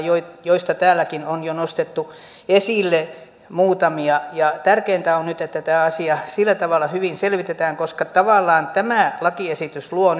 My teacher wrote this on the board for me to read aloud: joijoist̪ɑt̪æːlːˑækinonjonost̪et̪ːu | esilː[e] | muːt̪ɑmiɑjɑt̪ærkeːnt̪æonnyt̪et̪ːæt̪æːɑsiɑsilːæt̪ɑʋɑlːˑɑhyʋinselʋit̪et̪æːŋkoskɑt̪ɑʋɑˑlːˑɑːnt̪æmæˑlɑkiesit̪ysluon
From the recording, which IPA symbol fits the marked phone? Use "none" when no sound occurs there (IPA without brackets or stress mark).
e